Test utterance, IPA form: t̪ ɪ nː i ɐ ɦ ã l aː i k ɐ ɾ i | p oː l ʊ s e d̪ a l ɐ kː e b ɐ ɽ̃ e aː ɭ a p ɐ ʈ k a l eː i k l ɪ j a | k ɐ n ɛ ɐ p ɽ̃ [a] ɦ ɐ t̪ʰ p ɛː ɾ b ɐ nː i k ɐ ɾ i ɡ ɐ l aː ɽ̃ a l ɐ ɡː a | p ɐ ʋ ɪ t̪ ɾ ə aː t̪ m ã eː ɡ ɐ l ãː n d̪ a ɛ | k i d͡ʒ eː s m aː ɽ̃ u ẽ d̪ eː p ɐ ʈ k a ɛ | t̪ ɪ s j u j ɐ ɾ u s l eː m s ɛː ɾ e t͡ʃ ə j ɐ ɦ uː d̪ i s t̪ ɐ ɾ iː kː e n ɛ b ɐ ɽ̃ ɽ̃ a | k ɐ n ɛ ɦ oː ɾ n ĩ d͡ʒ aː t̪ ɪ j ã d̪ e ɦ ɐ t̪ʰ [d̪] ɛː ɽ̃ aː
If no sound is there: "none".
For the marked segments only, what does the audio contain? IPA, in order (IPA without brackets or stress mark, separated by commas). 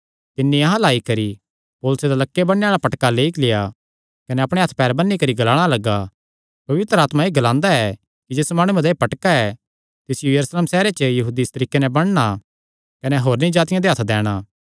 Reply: e, d̪